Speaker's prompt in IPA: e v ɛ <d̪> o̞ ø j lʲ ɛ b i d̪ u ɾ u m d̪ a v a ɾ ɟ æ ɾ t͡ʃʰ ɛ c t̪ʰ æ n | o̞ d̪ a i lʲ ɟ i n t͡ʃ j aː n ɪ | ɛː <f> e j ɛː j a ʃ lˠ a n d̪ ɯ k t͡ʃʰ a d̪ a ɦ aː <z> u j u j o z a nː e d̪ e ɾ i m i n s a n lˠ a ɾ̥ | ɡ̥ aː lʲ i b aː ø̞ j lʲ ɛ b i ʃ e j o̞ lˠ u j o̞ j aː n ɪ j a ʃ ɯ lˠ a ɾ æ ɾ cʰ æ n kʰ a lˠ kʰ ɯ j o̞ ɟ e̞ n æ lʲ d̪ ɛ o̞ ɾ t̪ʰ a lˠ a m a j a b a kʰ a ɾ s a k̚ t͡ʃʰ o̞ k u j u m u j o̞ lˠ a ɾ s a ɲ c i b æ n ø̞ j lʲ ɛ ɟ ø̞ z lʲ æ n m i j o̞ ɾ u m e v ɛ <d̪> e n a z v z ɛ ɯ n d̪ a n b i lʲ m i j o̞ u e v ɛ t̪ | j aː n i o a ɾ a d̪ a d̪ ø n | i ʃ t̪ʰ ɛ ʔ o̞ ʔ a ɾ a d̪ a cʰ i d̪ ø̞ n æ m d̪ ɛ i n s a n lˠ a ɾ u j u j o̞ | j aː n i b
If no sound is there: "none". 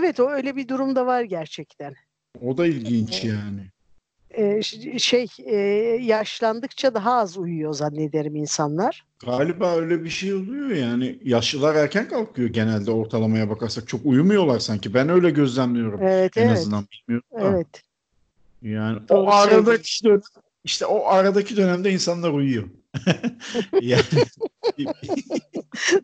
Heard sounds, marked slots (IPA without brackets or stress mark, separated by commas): t̪, ʃ, z, t̪